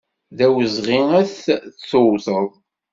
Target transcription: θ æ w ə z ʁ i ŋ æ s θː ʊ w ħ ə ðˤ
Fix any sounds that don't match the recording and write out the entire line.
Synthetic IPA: ð æ w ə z ʁ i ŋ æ θ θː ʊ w θ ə ðˤ